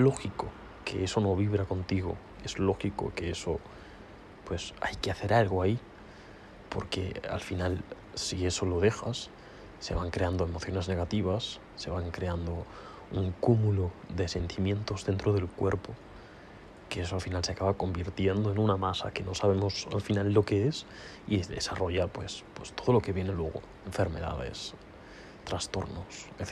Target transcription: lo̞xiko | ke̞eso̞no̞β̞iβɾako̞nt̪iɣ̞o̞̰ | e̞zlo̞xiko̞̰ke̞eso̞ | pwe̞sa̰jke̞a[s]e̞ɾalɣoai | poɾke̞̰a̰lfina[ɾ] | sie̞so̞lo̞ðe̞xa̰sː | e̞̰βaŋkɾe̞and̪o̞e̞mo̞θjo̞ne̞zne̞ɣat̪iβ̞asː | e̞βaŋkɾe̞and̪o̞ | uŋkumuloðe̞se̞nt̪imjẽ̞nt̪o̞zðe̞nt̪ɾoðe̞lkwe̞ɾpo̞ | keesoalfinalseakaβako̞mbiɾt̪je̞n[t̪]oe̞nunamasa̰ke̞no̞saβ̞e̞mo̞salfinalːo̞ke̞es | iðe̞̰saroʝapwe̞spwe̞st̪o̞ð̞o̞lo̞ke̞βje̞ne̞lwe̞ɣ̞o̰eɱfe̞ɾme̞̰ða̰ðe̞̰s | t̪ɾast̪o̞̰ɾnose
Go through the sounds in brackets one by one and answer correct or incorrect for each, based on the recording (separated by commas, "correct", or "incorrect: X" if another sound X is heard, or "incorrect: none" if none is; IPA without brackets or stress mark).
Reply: incorrect: θ, incorrect: l, incorrect: d̪